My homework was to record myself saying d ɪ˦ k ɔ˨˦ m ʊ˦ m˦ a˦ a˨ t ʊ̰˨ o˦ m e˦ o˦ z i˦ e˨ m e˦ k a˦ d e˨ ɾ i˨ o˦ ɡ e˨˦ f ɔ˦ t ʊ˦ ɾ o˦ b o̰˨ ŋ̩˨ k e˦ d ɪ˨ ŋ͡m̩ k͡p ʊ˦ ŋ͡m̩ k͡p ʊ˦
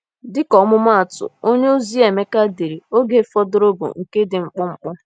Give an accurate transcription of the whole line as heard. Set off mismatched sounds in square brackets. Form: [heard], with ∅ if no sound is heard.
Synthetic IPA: d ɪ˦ k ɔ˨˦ m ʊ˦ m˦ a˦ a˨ t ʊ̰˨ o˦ [ɲ] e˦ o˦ z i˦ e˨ m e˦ k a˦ d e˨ ɾ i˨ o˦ ɡ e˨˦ f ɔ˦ [d] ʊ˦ ɾ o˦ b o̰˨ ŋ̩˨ k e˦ d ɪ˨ ŋ͡m̩ k͡p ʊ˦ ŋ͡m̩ k͡p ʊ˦

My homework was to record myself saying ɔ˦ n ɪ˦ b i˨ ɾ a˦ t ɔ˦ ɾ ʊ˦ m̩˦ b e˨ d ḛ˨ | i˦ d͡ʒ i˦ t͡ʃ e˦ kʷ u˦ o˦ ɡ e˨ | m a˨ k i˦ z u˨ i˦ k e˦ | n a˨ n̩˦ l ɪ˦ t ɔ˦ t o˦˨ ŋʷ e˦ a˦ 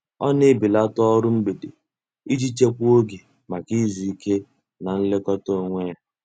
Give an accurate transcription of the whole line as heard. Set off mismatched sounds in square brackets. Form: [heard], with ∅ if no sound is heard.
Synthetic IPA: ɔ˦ n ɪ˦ b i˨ [l] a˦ t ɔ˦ ɾ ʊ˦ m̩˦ b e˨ d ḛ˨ | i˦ d͡ʒ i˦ t͡ʃ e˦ kʷ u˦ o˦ ɡ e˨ | m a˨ k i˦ z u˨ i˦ k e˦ | n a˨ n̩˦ l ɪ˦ [k] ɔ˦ t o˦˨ ŋʷ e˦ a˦

